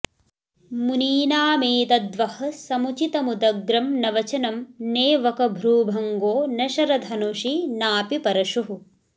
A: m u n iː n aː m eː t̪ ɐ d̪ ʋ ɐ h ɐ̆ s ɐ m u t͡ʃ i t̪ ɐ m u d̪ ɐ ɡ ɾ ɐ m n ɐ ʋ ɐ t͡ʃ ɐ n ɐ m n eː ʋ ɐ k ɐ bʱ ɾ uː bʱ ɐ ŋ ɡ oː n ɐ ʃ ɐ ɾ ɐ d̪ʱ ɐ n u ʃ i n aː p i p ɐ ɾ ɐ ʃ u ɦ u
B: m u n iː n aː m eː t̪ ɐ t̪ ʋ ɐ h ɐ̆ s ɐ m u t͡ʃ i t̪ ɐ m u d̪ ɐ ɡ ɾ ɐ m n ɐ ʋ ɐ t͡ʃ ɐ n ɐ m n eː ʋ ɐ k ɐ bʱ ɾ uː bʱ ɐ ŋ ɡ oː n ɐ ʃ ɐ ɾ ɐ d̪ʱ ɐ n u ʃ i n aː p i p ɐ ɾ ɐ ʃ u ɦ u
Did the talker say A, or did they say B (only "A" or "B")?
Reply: A